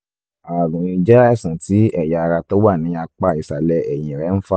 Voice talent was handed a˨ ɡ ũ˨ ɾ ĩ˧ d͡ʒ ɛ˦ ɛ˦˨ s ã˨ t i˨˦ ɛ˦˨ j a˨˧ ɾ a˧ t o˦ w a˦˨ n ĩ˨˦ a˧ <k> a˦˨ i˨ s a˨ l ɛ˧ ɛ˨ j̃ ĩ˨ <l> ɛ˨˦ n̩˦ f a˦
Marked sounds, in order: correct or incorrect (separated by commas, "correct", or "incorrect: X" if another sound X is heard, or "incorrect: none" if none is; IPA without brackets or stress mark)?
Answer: incorrect: k͡p, incorrect: ɾ